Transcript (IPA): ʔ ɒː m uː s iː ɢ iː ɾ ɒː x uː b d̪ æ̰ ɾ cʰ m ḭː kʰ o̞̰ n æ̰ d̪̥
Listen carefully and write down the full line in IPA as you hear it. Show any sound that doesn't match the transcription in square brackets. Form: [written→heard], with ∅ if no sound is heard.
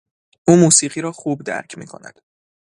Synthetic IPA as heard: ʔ [ɒː→uː] m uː s iː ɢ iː ɾ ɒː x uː b d̪ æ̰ ɾ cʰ m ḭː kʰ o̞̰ n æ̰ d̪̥

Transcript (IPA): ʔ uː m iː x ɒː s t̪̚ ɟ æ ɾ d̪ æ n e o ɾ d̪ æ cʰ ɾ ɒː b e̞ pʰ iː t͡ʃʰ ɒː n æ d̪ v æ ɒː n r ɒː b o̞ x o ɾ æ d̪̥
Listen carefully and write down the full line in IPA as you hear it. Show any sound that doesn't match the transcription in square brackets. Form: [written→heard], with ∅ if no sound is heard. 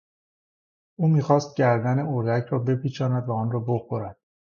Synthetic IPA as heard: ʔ uː m iː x ɒː s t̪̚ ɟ æ ɾ d̪ æ n e o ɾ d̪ æ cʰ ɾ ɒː b e̞ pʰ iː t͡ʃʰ ɒː n æ d̪ v æ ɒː n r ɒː b o̞ x o ɾ æ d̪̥

